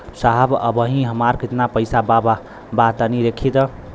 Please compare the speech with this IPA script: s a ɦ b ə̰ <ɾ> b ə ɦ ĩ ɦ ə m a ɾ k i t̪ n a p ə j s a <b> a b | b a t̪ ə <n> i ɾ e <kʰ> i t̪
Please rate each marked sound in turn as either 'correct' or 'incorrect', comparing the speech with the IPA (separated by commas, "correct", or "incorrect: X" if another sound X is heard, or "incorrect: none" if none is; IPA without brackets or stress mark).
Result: incorrect: none, correct, correct, correct